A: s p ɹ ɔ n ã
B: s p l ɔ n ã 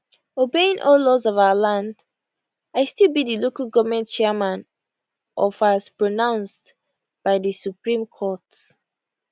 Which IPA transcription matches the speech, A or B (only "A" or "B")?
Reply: A